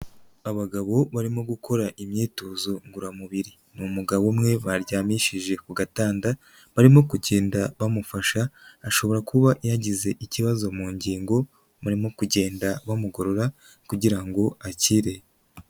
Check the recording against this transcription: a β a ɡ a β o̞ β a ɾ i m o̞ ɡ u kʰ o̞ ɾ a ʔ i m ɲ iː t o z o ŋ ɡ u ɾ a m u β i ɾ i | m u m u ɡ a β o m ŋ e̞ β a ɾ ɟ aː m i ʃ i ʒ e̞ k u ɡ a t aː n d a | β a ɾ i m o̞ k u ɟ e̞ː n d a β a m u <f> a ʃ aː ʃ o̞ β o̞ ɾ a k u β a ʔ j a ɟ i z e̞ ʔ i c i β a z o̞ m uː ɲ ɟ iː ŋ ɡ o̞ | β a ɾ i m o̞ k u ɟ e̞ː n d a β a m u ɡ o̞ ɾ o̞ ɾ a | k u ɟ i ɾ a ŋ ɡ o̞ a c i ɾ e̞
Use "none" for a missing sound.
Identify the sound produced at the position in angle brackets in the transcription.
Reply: f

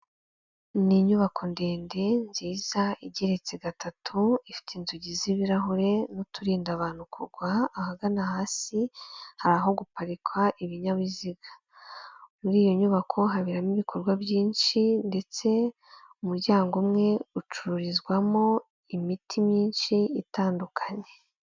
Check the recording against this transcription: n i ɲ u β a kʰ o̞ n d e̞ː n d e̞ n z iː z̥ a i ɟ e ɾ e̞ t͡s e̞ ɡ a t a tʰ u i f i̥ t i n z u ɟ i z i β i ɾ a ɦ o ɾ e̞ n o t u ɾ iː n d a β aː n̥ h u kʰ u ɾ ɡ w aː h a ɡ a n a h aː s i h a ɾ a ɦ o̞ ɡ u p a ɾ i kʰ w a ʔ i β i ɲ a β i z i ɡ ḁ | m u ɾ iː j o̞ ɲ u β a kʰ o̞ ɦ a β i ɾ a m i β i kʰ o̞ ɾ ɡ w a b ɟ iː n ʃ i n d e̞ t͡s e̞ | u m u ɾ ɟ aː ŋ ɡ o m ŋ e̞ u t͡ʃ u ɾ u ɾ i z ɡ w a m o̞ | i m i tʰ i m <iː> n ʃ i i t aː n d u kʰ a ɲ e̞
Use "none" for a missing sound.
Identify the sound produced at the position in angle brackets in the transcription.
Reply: iː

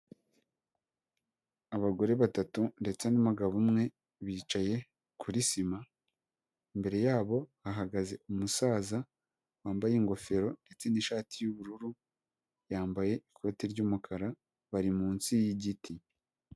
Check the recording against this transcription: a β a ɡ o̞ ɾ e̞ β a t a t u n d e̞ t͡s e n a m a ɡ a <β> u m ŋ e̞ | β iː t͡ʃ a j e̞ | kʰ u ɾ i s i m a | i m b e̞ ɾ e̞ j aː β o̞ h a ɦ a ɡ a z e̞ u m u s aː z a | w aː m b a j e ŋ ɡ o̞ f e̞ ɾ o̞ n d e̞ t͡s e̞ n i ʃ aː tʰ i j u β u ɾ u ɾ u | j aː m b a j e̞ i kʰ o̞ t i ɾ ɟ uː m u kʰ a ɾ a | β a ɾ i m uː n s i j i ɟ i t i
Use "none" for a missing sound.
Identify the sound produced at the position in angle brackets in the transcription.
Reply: β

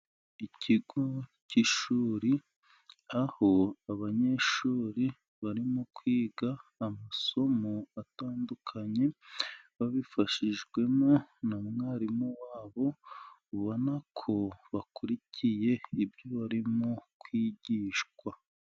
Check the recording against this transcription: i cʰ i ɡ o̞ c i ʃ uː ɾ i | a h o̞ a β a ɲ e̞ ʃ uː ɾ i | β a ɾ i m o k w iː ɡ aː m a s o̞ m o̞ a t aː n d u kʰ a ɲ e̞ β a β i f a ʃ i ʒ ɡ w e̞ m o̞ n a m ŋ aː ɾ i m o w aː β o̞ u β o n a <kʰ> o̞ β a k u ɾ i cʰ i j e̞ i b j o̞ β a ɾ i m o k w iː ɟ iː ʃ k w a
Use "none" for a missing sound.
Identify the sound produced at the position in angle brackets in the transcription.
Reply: kʰ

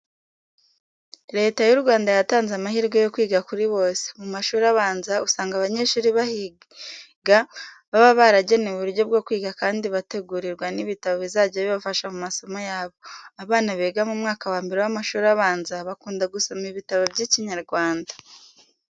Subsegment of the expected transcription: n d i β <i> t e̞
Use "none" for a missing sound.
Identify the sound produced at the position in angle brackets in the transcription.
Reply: a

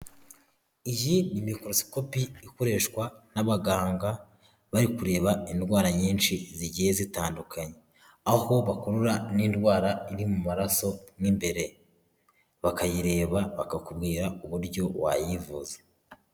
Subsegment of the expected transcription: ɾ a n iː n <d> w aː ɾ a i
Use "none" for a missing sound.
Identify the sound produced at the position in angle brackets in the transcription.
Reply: d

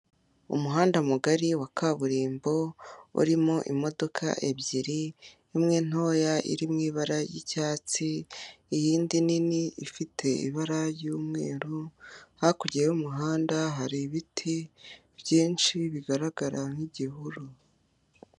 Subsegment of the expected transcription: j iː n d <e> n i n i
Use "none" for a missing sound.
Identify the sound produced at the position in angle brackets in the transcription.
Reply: i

